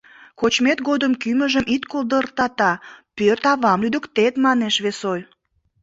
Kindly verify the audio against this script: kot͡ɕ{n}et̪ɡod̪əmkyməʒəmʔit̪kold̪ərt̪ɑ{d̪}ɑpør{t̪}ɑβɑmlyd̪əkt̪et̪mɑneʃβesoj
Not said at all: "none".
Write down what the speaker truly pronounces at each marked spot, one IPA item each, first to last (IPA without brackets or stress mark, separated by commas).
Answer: m, t̪, t̪